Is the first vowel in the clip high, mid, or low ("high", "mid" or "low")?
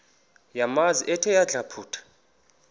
low